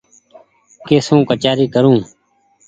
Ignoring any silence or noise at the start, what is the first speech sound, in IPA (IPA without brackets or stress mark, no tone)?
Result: k